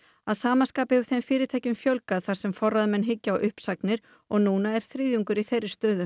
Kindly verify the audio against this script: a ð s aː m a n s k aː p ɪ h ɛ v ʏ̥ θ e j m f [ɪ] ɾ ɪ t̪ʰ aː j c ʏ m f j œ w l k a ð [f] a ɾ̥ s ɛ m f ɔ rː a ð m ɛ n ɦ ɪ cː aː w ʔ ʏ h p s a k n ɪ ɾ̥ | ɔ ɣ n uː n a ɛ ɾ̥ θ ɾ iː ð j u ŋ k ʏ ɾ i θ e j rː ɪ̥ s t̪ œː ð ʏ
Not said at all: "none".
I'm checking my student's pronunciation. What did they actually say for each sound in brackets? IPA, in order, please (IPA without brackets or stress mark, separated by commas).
ɪː, θ